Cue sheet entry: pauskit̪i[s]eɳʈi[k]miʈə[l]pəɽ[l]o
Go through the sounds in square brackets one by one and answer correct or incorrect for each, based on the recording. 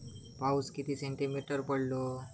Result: correct, incorrect: none, incorrect: ɾ, correct

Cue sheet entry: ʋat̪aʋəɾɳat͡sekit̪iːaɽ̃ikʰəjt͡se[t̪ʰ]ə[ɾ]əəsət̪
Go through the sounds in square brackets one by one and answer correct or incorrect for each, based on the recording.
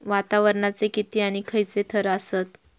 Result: correct, correct

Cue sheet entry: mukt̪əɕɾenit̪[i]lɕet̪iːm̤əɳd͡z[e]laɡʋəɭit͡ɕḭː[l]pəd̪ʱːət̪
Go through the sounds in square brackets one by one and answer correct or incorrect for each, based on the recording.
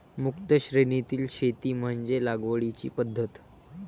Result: incorrect: iː, correct, incorrect: none

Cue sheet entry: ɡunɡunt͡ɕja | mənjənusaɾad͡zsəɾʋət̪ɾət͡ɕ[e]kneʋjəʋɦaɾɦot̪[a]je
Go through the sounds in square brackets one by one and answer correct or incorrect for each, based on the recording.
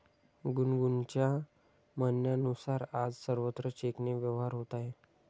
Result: correct, correct

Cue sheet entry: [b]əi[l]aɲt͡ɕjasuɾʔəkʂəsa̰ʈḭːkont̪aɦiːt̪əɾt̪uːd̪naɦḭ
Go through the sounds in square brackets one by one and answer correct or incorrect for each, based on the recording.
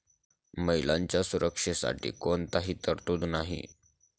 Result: incorrect: m, correct

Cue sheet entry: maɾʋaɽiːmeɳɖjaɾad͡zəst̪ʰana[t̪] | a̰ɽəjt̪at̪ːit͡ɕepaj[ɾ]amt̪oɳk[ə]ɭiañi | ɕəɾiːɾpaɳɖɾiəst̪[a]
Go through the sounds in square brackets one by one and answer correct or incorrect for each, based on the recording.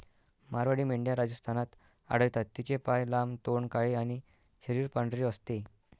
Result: correct, incorrect: l, incorrect: a, incorrect: e

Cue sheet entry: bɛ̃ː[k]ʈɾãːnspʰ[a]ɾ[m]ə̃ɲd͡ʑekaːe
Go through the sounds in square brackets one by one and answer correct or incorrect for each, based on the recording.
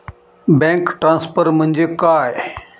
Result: correct, incorrect: ə, correct

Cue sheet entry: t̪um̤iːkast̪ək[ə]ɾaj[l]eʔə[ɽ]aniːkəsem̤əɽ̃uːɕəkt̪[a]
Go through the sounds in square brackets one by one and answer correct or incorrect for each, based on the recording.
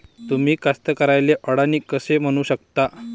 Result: correct, correct, correct, correct

